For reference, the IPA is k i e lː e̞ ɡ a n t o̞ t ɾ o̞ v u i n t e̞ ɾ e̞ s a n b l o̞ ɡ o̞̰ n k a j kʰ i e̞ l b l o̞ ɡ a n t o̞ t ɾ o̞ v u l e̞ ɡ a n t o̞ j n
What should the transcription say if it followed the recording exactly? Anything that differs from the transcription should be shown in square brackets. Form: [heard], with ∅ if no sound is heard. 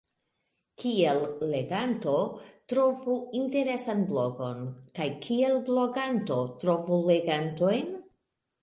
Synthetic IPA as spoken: k i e lː e̞ ɡ a n t o̞ t ɾ o̞ v u i n t e̞ ɾ e̞ s a n b l o̞ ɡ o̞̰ n k a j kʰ i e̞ l b l o̞ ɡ a n t o̞ t ɾ o̞ v u l e̞ ɡ a n t o̞ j n